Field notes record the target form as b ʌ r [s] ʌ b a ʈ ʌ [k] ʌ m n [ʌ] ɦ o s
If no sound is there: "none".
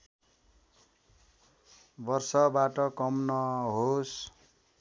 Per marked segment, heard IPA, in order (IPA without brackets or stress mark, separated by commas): s, k, ʌ